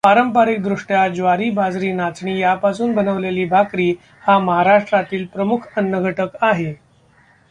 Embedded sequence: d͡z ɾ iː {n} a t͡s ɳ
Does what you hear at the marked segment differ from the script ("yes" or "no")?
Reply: no